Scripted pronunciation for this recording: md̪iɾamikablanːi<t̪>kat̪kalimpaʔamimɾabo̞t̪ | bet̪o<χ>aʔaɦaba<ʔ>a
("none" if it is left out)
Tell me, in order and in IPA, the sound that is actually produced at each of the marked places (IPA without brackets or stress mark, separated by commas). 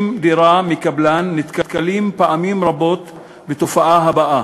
t̪, f, ʔ